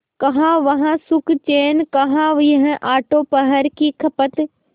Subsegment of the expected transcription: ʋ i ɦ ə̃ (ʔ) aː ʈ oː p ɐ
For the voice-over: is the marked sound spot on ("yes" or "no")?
yes